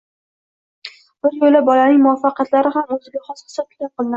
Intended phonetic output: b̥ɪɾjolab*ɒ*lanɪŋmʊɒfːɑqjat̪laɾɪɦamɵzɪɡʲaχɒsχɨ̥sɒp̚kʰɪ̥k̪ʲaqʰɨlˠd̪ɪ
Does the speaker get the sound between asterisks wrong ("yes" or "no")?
no